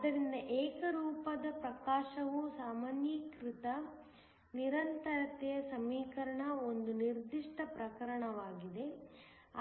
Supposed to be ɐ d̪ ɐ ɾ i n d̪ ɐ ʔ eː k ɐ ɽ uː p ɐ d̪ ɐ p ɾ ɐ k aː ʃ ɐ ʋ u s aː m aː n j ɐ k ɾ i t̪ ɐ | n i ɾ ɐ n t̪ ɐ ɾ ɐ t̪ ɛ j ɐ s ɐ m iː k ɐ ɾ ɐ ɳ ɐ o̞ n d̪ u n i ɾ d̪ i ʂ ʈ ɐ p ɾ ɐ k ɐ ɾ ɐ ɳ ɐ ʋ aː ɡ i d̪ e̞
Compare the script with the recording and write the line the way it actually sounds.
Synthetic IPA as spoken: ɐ d̪ ɐ ɾ i n d̪ ɐ ʔ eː k ɐ ɾ uː p ɐ d̪ ɐ p ɾ ɐ k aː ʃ ɐ ʋ u s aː m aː n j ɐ k ɾ i t̪ ɐ | n i ɾ ɐ n t̪ ɐ ɾ ɐ t̪ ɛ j ɐ s ɐ m iː k ɐ ɾ ɐ ɳ ɐ o̞ n d̪ u n i ɾ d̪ i ʂ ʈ ɐ p ɾ ɐ k ɐ ɾ ɐ ɳ ɐ ʋ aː ɡ i d̪ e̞